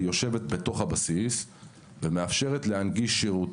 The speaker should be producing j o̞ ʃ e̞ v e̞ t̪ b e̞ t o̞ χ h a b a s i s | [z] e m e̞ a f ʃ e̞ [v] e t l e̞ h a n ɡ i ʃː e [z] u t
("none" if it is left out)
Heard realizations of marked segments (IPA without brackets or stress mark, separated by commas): v, ʁ, ʁ